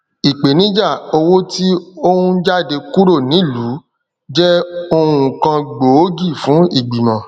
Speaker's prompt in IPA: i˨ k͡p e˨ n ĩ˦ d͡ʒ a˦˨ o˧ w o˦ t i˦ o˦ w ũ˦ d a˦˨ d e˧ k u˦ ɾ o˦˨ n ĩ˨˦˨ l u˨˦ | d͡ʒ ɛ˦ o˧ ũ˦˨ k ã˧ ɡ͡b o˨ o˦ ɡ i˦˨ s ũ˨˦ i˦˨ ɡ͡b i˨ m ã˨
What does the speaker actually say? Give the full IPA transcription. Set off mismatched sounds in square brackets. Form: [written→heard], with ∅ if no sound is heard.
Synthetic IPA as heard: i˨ k͡p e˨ n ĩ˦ d͡ʒ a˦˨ o˧ w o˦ t i˦ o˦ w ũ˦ [d→d͡ʒ] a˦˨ d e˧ k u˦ ɾ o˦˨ n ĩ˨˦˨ l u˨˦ | d͡ʒ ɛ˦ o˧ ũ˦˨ k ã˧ ɡ͡b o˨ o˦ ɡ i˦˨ [s→f] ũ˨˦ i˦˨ ɡ͡b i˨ m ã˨